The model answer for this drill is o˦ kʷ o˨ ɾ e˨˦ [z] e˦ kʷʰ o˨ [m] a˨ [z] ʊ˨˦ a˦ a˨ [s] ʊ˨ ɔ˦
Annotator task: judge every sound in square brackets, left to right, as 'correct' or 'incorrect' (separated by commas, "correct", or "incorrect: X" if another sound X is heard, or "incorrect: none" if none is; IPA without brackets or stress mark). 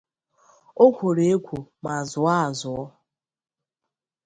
incorrect: none, correct, correct, incorrect: z